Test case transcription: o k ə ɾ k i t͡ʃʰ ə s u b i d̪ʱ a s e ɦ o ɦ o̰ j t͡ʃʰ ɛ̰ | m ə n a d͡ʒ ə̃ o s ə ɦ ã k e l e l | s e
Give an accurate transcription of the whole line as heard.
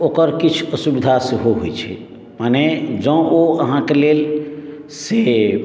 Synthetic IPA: o k ə ɾ k i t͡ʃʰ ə s u b i d̪ʱ a s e ɦ o ɦ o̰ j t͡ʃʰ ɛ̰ | m a n e d͡ʒ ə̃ o ə ɦ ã k e l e l | s e